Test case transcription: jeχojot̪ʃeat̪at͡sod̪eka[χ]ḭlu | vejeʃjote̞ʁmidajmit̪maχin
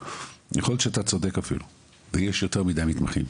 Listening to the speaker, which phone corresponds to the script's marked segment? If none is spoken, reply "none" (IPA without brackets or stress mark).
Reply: f